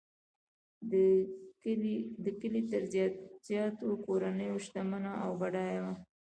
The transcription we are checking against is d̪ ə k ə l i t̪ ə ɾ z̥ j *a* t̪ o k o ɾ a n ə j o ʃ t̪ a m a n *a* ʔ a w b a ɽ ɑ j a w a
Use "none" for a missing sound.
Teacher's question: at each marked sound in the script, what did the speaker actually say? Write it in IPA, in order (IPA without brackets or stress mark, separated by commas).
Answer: ɑ, a